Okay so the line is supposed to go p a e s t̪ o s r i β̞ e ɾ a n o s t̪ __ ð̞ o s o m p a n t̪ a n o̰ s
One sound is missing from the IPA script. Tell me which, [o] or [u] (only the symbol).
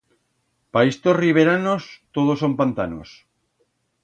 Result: o